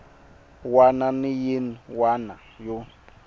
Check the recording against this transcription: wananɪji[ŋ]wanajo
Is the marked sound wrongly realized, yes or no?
yes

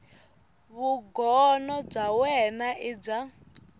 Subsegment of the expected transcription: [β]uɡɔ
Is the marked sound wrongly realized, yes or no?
no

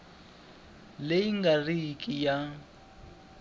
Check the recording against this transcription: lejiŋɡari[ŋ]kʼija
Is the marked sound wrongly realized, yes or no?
yes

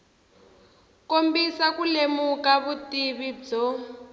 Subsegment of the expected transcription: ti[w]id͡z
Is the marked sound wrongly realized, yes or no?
yes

